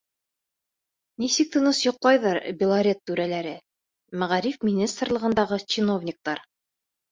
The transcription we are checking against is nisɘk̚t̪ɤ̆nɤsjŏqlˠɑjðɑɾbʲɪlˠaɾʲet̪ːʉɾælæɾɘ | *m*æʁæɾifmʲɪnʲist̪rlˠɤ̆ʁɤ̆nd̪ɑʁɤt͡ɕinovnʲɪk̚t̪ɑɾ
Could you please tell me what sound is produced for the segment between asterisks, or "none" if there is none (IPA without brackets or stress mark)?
m